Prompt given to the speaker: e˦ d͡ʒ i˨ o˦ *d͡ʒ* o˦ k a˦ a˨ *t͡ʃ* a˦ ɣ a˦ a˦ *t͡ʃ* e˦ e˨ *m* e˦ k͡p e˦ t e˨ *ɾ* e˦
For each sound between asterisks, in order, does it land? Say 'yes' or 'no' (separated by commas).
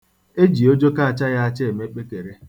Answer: yes, yes, yes, yes, yes